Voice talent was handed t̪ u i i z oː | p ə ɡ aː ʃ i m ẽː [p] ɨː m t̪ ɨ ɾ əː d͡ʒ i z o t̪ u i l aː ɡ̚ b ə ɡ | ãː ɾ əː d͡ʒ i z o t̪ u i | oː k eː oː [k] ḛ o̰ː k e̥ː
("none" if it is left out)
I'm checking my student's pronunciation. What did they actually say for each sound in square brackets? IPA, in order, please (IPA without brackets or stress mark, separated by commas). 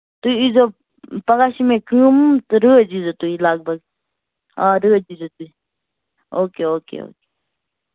k, k